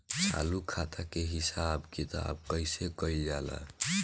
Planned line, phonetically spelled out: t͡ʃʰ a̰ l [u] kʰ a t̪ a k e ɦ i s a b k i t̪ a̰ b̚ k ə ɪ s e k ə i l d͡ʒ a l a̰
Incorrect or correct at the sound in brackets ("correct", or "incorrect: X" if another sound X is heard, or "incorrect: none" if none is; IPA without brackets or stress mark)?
correct